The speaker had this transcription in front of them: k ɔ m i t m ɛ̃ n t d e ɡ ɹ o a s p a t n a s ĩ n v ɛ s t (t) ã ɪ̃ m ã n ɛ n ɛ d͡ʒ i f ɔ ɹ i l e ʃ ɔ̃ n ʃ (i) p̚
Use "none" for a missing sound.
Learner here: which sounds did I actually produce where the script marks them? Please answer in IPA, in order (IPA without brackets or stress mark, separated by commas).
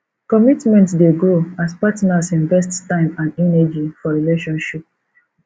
t, i